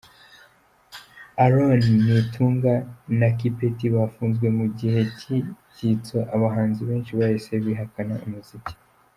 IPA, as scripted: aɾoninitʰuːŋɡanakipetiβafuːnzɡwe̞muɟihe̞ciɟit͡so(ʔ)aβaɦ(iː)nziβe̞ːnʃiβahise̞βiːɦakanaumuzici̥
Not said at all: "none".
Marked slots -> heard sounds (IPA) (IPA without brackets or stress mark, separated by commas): ʔ, aː